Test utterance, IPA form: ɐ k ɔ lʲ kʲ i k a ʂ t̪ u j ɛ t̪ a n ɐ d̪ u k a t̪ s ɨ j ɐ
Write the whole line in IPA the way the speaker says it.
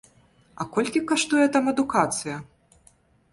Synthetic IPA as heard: ɐ k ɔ lʲ kʲ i k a ʂ t̪ u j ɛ t̪ a m ɐ d̪ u k a t̪ s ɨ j ɐ